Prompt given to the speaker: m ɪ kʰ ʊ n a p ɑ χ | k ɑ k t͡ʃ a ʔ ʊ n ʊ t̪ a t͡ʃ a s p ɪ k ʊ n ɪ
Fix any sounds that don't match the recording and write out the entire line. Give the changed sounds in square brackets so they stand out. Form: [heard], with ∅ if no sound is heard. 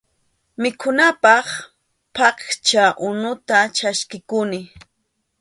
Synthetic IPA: m ɪ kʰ ʊ n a p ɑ χ | [p] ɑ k t͡ʃ a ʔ ʊ n ʊ t̪ a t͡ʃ a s [k] ɪ k ʊ n ɪ